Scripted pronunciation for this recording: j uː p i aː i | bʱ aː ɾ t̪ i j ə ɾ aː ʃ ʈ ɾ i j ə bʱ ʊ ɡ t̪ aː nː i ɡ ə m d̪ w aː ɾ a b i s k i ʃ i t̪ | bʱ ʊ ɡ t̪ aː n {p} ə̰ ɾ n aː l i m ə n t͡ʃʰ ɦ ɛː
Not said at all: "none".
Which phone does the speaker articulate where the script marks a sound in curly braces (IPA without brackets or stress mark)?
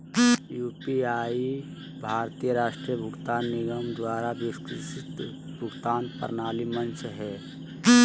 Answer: p